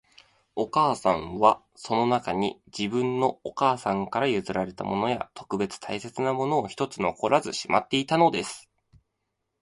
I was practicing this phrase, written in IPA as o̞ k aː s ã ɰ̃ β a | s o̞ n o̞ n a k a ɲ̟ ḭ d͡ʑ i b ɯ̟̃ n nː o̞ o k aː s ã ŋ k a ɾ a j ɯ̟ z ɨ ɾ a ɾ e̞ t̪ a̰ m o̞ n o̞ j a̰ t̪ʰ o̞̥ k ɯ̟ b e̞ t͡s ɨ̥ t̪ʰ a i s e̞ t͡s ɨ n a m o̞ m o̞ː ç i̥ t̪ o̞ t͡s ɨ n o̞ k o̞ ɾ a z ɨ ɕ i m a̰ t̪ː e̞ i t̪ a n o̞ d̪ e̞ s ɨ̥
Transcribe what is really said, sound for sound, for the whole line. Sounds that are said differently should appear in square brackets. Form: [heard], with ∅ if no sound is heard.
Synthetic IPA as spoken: o̞ k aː s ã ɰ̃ β a | s o̞ n o̞ n a k a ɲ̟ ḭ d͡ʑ i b ɯ̟̃ n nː o̞ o k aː s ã ŋ k a ɾ a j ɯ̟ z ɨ ɾ a ɾ e̞ t̪ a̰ m o̞ n o̞ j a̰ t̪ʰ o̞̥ k ɯ̟ b e̞ t͡s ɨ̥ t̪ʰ a i s e̞ t͡s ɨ n a m o̞ [n] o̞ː ç i̥ t̪ o̞ t͡s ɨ n o̞ k o̞ ɾ a z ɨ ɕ i m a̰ t̪ː e̞ i t̪ a n o̞ d̪ e̞ s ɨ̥